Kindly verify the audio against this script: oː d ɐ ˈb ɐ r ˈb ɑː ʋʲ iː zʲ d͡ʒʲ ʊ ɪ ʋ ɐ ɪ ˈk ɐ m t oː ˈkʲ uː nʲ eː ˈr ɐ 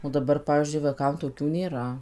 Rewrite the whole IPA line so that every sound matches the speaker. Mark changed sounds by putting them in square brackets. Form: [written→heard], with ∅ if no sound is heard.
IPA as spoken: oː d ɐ ˈb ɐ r [ˈb→ˈp] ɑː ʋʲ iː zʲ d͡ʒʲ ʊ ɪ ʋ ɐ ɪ ˈk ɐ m t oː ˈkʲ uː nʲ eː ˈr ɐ